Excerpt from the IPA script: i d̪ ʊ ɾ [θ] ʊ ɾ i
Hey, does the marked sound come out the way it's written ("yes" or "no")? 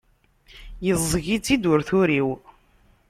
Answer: yes